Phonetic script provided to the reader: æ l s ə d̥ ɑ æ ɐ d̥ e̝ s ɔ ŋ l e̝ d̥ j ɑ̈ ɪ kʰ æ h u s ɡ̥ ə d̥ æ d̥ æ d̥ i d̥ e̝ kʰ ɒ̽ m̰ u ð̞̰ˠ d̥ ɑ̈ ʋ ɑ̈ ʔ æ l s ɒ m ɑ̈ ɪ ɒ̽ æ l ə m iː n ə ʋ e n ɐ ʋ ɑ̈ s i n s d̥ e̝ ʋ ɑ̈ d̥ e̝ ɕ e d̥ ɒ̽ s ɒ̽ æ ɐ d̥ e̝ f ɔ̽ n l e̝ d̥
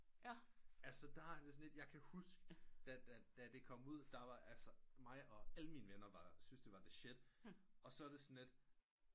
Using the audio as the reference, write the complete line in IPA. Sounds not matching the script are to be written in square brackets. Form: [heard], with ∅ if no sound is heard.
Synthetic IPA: æ l s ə d̥ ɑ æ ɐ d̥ e̝ s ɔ [n] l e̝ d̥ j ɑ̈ ɪ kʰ æ h u s ɡ̥ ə d̥ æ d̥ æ d̥ [æ] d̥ e̝ kʰ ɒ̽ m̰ u ð̞̰ˠ d̥ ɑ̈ ʋ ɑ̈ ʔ æ l s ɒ m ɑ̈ ɪ ɒ̽ æ l ə m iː n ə ʋ e n ɐ ʋ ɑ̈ s [y] n s d̥ e̝ ʋ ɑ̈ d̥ e̝ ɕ e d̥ ɒ̽ s ɒ̽ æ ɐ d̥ e̝ [s] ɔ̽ n l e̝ d̥